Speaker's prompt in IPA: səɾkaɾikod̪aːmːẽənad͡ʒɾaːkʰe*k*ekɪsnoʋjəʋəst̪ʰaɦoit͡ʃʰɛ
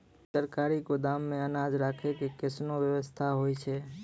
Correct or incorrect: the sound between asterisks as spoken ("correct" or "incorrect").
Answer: correct